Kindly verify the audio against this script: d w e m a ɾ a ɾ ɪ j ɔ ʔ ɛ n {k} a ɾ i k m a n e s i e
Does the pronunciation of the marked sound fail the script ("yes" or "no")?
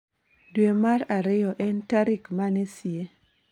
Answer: yes